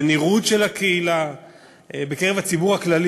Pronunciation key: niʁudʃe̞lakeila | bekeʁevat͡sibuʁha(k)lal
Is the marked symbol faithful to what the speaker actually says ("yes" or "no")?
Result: yes